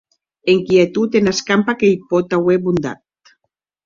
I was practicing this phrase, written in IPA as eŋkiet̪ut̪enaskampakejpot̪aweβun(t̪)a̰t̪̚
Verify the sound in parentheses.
incorrect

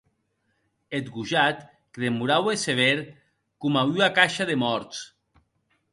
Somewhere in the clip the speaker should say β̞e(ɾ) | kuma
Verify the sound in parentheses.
correct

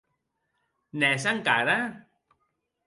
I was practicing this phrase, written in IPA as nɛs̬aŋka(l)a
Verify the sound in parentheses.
incorrect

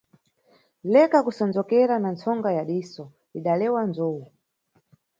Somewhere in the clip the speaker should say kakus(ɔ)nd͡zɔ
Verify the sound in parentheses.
correct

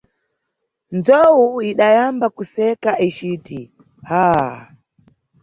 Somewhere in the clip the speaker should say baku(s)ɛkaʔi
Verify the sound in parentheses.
correct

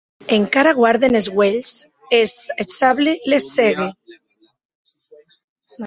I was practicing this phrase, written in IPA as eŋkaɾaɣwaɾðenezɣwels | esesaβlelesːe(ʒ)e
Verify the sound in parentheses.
incorrect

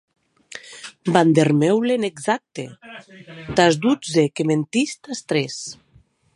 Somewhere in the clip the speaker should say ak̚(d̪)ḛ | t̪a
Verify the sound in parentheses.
incorrect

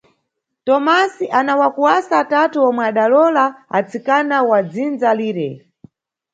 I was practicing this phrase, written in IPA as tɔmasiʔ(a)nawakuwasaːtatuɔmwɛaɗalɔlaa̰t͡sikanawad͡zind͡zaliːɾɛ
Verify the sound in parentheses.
correct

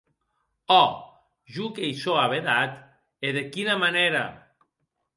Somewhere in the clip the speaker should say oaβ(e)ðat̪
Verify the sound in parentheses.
correct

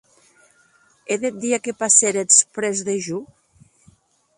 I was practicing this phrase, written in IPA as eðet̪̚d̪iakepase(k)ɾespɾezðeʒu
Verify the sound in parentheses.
incorrect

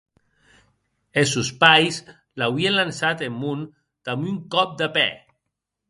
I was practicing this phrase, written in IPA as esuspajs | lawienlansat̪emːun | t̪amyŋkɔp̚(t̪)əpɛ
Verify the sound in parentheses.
incorrect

